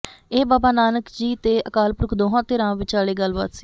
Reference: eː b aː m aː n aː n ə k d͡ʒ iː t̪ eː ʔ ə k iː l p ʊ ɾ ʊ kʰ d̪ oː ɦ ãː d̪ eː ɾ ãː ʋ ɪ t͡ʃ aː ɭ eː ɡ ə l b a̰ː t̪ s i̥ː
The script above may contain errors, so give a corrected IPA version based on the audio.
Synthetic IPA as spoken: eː b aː b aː n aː n ə k d͡ʒ iː t̪ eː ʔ ə k aː l p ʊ ɾ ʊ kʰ d̪ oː ɦ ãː t̪ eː ɾ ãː ʋ ɪ t͡ʃ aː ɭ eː ɡ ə l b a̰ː t̪ s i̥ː